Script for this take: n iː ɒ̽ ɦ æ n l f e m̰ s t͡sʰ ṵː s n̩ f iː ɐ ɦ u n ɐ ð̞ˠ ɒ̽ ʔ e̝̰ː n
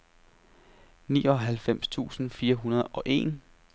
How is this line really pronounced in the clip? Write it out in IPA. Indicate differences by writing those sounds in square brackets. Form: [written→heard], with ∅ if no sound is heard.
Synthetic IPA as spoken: n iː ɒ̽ ɦ æ [n→∅] l f e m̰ s t͡sʰ ṵː s n̩ f iː ɐ ɦ u n ɐ ð̞ˠ ɒ̽ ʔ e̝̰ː n